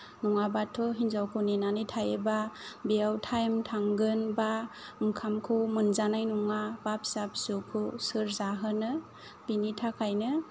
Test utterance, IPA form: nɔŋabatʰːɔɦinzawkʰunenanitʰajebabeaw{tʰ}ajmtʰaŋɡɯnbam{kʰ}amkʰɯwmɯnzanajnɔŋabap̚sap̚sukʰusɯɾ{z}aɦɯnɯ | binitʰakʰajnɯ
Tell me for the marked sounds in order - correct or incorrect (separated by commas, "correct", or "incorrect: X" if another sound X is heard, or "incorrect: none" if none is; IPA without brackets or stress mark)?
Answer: correct, correct, correct